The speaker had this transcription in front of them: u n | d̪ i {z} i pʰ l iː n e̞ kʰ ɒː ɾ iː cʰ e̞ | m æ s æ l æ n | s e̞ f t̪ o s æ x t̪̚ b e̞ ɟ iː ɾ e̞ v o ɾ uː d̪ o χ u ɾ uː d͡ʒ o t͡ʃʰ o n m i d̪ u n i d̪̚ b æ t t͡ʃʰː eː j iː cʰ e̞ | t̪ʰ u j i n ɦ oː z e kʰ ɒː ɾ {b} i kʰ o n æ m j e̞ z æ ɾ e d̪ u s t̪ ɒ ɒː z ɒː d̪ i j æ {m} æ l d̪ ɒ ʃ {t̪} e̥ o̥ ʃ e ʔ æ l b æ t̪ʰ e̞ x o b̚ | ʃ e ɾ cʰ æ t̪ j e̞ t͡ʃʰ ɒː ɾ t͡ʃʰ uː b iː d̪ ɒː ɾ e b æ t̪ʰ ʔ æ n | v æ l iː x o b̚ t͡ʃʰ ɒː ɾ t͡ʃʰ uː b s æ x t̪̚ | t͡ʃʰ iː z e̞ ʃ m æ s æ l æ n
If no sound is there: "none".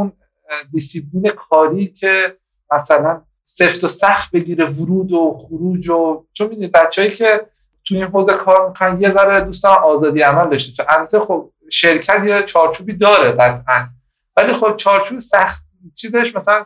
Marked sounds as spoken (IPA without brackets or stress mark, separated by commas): s, m, m, t̪